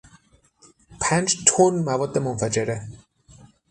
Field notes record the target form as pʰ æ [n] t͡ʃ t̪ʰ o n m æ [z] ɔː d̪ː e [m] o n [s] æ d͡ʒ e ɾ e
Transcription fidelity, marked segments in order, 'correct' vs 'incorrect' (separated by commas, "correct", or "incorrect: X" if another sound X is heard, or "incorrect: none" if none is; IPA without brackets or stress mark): correct, incorrect: v, correct, incorrect: f